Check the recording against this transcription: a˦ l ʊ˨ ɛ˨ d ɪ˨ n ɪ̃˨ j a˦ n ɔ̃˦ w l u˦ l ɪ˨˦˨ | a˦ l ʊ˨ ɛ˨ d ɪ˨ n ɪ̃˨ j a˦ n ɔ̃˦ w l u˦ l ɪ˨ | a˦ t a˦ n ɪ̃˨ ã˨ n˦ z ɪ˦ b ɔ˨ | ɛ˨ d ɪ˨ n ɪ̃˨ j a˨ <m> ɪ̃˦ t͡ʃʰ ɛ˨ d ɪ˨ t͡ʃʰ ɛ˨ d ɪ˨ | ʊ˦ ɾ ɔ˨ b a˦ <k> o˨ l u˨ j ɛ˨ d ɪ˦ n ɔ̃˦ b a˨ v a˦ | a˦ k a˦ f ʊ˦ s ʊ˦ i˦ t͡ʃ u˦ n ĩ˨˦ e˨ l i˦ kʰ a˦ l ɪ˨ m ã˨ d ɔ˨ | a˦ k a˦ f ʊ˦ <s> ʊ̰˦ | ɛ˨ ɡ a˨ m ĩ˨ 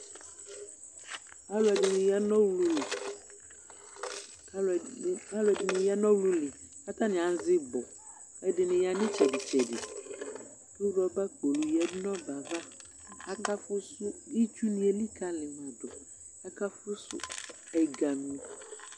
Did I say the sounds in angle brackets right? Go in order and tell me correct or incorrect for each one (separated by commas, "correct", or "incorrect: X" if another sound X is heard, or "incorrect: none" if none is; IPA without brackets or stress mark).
incorrect: n, incorrect: k͡p, correct